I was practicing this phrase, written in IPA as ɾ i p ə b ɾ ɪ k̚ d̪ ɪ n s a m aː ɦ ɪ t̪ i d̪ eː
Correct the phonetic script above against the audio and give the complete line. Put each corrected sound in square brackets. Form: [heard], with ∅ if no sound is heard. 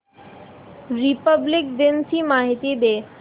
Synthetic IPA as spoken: ɾ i p ə b [l] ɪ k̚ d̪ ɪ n s [i] m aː ɦ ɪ t̪ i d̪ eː

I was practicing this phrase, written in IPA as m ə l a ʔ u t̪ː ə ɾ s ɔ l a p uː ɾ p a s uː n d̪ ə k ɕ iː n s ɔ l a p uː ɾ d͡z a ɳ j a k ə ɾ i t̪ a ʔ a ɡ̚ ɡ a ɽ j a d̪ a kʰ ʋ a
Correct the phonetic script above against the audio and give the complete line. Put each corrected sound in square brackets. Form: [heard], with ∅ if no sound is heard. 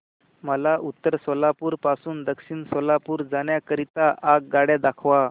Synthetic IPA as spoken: m ə l a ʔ u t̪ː ə ɾ s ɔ l a p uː ɾ p a s uː n d̪ ə k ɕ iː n s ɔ l a p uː ɾ d͡z a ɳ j a k ə ɾ i t̪ a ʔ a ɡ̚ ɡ a ɽ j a d̪ a kʰ ʋ a

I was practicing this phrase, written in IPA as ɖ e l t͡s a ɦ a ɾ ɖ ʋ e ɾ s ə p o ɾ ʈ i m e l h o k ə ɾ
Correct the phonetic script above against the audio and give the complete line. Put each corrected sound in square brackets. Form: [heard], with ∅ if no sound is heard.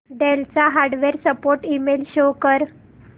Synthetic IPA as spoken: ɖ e l t͡s a ɦ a ɾ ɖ ʋ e ɾ s ə p o ɾ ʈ i m e l [ɕ] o k ə ɾ

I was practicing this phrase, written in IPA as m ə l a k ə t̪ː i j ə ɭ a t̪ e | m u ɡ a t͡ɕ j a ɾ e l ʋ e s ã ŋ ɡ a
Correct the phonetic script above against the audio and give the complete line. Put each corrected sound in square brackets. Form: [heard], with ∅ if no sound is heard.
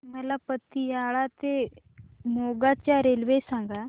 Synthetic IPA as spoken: m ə l a [p] ə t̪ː i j [a] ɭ a t̪ e | m [o] ɡ a t͡ɕ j a ɾ e l ʋ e s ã ŋ ɡ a

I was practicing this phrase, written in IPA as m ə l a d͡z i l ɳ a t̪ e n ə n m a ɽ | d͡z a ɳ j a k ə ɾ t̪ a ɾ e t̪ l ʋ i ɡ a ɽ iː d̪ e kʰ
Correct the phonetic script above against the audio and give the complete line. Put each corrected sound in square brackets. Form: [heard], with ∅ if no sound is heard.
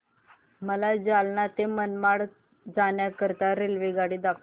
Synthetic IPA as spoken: m ə l a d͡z [a] l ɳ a t̪ e [m] ə n m a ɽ | d͡z a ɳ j a k ə ɾ t̪ a ɾ e [∅] l ʋ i ɡ a ɽ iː d̪ [a] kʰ

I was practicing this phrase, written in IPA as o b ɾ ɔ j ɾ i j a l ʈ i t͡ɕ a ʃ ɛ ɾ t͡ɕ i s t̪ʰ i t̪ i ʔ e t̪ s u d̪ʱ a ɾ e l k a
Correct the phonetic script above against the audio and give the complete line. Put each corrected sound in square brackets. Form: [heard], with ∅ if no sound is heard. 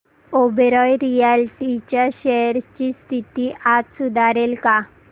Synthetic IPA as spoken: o b ɾ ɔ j ɾ i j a l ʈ i t͡ɕ a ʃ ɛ ɾ t͡ɕ i s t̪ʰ i t̪ i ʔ [a] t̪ s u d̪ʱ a ɾ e l k a

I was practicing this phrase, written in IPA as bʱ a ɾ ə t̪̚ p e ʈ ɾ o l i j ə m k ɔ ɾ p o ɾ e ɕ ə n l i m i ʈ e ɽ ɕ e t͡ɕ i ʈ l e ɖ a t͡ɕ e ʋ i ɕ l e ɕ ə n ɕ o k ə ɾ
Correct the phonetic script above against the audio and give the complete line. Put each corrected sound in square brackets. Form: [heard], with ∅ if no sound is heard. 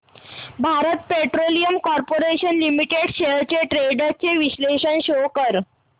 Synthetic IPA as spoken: bʱ a ɾ ə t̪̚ p e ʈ ɾ o l i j ə m k ɔ ɾ p o ɾ e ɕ ə n l i m i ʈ e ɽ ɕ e t͡ɕ [e] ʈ [ɾ] e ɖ a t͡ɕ e ʋ i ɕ l e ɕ ə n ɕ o k ə ɾ

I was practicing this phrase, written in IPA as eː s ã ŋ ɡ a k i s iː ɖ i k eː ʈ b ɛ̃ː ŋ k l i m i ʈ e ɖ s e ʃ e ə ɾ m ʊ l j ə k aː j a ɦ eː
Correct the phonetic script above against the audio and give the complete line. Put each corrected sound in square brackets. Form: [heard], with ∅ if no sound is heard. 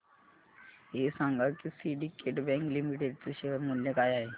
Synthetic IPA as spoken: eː s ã ŋ ɡ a k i s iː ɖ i k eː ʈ b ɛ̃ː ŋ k l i m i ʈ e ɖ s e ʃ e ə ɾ m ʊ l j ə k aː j a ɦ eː

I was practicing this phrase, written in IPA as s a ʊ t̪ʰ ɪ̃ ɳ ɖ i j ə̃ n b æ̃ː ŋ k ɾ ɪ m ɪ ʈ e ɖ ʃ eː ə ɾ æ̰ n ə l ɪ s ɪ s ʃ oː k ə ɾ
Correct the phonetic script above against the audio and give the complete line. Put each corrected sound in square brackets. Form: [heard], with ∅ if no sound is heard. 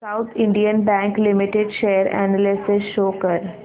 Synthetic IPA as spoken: s a ʊ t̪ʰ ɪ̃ ɳ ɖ i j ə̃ n b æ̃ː ŋ k [l] ɪ m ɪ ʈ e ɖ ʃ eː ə ɾ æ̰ n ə l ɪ s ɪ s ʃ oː k ə ɾ

